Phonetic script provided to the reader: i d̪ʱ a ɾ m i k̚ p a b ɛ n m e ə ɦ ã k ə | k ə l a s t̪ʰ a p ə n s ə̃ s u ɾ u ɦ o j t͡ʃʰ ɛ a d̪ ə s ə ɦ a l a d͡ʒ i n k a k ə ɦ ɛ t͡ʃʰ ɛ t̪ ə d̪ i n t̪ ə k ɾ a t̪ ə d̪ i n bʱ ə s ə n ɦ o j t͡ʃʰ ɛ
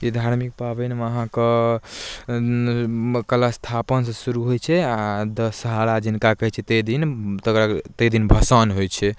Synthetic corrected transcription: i d̪ʱ a ɾ m i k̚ p a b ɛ n m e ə ɦ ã k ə | k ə l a s t̪ʰ a p ə n s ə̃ s u ɾ u ɦ o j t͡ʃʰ ɛ a d̪ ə s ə ɦ a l a d͡ʒ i n k a k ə ɦ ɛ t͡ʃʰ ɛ t̪ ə d̪ i n t̪ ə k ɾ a t̪ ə d̪ i n bʱ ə s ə n ɦ o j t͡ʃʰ ɛ